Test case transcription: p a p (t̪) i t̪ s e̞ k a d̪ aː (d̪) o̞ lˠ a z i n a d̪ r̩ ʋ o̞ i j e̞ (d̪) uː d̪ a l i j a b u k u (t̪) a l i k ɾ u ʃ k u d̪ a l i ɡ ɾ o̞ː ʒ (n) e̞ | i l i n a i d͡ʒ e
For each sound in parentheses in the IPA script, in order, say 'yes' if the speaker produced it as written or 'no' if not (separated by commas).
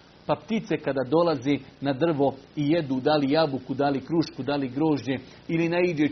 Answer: yes, yes, yes, no, no